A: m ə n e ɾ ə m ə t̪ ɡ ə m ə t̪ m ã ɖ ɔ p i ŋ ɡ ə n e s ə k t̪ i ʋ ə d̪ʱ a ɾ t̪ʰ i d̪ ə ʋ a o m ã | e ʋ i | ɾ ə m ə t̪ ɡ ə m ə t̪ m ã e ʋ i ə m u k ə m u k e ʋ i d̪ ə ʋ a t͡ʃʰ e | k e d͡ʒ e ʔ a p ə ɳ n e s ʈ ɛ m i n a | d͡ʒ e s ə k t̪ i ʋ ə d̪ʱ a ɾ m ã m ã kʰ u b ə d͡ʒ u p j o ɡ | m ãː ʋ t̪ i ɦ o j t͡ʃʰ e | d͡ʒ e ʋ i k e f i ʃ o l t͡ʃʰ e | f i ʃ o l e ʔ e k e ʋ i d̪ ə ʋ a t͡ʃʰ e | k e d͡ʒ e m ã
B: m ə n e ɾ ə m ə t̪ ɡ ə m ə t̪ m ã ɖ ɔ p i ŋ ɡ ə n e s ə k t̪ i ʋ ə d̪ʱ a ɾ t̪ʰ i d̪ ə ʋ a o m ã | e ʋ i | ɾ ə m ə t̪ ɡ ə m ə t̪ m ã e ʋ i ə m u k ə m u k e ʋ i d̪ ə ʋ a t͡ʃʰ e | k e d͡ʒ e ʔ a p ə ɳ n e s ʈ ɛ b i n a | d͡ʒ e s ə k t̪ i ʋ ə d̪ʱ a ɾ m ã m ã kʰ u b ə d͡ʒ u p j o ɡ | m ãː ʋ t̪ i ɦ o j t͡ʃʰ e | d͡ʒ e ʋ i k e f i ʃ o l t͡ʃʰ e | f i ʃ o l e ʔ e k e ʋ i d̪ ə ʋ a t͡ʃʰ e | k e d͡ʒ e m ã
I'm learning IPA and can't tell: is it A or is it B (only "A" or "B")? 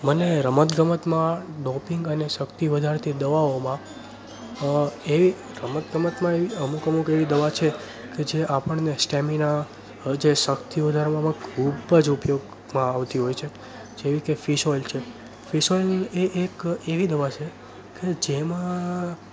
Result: A